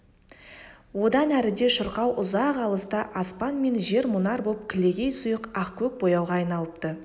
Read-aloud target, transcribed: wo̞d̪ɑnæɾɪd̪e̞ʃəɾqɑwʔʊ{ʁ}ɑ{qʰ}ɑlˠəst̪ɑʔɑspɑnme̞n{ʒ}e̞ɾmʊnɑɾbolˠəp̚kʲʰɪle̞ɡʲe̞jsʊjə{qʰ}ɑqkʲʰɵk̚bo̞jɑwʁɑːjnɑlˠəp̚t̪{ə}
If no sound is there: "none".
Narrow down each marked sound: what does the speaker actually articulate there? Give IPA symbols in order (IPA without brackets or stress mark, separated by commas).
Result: z, q, ʒ, q, ə